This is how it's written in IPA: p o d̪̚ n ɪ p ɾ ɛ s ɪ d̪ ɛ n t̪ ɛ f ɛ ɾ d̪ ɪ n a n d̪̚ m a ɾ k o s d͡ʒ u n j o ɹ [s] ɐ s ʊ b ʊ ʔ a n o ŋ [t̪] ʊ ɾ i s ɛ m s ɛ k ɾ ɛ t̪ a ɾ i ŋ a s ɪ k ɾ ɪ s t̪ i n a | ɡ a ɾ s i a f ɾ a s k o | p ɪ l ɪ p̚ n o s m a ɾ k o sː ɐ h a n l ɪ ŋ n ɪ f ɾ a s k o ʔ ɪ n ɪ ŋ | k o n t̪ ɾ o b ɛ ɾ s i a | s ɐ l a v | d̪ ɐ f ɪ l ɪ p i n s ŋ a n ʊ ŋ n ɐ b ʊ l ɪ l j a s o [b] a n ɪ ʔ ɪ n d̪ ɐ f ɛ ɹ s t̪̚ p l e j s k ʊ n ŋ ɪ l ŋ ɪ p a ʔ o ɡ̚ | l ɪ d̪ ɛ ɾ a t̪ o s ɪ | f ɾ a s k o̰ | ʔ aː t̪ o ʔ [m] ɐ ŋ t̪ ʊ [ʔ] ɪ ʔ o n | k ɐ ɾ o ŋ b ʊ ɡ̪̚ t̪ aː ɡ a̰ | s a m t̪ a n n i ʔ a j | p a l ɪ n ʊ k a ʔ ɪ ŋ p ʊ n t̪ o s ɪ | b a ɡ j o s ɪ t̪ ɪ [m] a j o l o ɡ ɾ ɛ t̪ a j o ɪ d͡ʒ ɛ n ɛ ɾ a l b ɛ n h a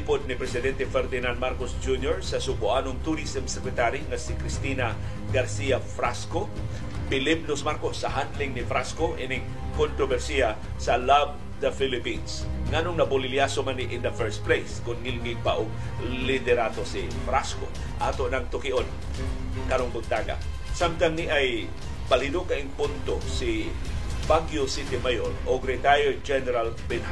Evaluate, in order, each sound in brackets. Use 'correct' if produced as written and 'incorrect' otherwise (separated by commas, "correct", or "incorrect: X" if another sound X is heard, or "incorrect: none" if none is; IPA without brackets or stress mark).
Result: correct, correct, incorrect: m, incorrect: n, incorrect: k, correct